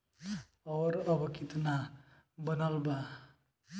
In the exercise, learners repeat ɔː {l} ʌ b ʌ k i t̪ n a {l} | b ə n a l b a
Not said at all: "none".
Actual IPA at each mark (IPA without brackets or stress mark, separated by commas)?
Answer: ɾ, none